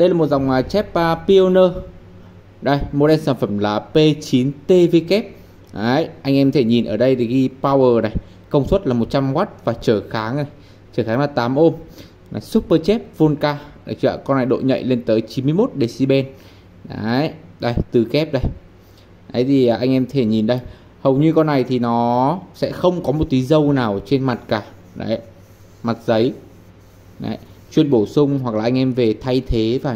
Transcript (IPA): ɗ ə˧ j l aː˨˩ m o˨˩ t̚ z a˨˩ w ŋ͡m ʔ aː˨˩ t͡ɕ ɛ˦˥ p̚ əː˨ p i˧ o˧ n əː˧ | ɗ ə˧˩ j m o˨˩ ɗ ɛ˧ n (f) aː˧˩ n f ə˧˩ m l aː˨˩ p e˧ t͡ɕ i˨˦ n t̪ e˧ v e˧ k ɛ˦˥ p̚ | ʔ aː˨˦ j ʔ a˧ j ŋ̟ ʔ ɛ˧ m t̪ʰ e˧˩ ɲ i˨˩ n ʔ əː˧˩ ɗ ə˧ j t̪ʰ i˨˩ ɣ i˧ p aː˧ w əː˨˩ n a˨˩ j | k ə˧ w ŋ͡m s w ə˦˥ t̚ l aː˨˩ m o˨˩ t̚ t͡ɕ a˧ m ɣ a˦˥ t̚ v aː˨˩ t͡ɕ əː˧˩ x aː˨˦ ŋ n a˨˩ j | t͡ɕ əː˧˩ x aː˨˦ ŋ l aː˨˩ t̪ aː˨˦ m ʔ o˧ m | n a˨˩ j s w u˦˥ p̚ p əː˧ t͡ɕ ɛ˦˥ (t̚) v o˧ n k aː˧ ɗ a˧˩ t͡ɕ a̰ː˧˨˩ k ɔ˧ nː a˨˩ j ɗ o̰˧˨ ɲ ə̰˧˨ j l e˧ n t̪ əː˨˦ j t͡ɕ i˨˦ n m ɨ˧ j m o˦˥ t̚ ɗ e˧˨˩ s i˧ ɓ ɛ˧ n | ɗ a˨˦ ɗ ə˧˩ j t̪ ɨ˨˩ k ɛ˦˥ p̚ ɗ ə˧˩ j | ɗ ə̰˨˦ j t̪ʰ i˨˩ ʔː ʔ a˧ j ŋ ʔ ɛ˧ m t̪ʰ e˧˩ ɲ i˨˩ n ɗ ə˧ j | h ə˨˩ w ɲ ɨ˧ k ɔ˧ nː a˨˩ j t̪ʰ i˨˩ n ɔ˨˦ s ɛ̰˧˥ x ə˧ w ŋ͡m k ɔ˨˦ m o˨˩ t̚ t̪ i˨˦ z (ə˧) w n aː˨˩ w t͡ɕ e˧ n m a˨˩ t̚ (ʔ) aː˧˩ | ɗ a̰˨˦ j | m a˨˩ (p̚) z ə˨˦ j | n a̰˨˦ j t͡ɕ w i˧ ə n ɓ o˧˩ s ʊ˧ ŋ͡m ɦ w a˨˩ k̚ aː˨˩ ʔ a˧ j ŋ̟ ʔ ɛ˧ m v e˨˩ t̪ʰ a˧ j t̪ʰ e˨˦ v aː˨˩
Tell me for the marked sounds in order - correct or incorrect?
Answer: incorrect, incorrect, correct, incorrect, incorrect

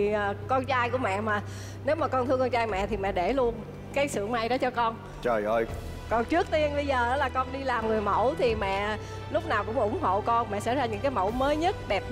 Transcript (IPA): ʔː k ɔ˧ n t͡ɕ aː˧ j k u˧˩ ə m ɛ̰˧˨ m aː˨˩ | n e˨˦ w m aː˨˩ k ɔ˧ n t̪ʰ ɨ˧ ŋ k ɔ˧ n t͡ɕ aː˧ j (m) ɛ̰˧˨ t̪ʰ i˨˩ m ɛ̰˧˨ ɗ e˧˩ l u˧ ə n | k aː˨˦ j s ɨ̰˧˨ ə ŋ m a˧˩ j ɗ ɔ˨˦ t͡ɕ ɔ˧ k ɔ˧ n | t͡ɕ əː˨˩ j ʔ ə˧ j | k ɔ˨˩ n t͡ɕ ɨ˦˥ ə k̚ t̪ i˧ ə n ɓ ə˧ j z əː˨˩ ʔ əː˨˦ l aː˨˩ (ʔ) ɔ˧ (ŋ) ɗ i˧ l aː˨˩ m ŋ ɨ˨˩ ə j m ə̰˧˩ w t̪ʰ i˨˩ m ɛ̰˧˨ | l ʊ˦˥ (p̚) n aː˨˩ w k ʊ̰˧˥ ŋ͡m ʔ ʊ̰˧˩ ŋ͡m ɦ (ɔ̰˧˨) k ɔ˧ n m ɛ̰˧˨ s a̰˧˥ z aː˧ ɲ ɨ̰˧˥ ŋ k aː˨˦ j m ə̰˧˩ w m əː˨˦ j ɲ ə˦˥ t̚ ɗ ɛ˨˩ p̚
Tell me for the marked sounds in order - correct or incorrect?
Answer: correct, incorrect, incorrect, incorrect, incorrect

